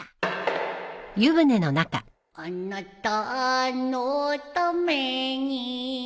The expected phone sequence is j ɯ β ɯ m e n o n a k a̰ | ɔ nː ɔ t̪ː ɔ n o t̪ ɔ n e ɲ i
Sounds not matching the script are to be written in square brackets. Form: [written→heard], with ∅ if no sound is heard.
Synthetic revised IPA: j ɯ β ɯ [m→n] e n o n a k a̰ | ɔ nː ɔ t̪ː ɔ n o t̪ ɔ [n→m] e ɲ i